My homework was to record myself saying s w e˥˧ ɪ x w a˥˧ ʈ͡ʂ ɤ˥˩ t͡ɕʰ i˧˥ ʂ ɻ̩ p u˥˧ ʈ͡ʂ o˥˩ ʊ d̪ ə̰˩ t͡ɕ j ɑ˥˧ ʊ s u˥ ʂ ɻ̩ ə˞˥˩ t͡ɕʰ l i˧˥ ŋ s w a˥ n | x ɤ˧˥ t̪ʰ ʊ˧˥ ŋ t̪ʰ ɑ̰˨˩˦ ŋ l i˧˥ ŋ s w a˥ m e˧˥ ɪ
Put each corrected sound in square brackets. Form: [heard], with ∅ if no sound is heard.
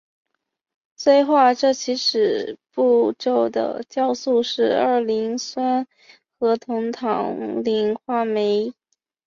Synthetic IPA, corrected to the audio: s w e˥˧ ɪ x w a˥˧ ʈ͡ʂ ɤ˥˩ t͡ɕʰ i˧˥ ʂ ɻ̩ p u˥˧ ʈ͡ʂ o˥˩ ʊ d̪ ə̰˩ t͡ɕ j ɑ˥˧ ʊ s [u˥˧] ʂ ɻ̩ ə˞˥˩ [∅] l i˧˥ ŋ s w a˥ n | x ɤ˧˥ t̪ʰ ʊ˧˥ ŋ t̪ʰ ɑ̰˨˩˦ ŋ l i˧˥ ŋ [x] w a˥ m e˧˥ ɪ